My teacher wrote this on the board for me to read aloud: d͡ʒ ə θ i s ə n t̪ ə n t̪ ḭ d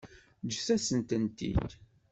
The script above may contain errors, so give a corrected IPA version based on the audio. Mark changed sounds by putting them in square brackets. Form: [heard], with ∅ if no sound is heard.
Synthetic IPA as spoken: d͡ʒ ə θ [æ] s ə n t̪ ə n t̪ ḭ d